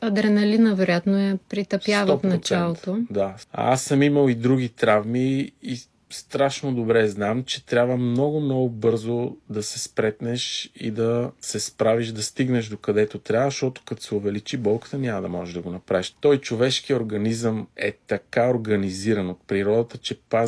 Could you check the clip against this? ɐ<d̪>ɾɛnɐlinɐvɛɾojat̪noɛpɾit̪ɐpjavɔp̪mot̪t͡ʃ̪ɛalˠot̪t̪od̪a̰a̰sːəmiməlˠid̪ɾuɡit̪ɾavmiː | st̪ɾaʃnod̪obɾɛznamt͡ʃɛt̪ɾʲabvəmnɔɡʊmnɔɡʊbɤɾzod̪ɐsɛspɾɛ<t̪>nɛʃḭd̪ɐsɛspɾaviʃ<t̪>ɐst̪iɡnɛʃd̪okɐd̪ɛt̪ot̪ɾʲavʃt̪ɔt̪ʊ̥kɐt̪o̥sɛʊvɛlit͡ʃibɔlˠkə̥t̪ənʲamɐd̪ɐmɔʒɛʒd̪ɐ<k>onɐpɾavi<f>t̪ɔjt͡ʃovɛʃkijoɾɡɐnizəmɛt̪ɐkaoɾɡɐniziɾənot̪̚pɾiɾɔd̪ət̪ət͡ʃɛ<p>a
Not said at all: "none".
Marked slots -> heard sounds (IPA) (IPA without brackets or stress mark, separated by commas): d̪, t̪, d̪, ɡ, ʃ, p